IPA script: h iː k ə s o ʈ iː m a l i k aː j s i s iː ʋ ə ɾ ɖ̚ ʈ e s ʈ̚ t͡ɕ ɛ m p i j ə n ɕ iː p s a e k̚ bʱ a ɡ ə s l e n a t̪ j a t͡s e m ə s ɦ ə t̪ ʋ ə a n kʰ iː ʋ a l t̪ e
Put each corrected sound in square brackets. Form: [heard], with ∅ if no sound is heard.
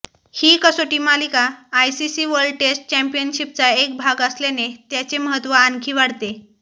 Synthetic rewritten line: h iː k ə s o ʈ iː m a l i k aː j s i s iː ʋ ə ɾ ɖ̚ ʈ e s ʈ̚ t͡ɕ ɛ m p i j ə n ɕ [i] p [t͡s] a e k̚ bʱ a ɡ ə s l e n [e] t̪ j a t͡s e m ə [∅] ɦ ə t̪ ʋ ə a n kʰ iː ʋ a [ɽ] t̪ e

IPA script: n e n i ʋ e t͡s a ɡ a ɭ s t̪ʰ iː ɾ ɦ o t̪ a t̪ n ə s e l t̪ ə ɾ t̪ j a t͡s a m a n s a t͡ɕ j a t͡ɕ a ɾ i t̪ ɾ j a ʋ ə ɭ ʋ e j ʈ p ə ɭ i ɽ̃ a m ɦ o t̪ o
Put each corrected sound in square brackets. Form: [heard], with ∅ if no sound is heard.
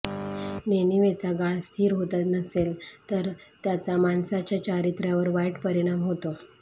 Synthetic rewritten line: n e n i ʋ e t͡s a ɡ a ɭ s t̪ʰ iː ɾ ɦ o t̪ a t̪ n ə s e l t̪ ə ɾ t̪ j a t͡s a m a n s a t͡ɕ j a t͡ɕ a ɾ i t̪ ɾ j a ʋ ə [ɾ] ʋ [a] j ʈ p ə [ɾ] i ɽ̃ a m ɦ o t̪ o

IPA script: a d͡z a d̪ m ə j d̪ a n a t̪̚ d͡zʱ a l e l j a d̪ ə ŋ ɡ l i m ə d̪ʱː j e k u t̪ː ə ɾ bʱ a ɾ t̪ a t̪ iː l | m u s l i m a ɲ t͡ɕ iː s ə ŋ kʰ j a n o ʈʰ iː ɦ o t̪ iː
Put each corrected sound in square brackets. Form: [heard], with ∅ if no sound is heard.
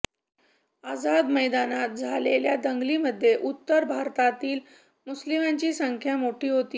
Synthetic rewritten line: a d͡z a d̪ m ə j d̪ a n a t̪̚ d͡zʱ a l e l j a d̪ ə ŋ ɡ l i m ə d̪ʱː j e [ʔ] u t̪ː ə ɾ bʱ a ɾ t̪ a t̪ iː l | m u s l i m a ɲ t͡ɕ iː s ə ŋ kʰ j a [m] o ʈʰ iː ɦ o t̪ iː

